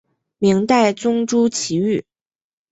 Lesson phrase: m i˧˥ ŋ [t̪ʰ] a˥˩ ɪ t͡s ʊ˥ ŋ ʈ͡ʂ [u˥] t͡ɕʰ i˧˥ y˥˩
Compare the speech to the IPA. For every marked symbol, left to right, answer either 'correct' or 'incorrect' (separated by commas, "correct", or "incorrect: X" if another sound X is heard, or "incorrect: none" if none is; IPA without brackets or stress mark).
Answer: incorrect: t̪, correct